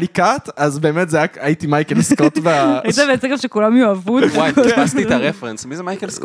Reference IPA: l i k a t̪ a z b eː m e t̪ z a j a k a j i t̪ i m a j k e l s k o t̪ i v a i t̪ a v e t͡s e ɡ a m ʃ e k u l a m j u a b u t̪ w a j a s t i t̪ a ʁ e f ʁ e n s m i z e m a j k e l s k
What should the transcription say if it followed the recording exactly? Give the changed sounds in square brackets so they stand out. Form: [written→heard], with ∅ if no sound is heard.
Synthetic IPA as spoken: l i k a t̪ a z b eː m e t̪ z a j a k a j i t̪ i m a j k e l s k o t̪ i v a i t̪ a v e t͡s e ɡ a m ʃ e k u l a m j u a [b→v] u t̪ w a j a s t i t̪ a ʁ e f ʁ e n s m i z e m a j k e l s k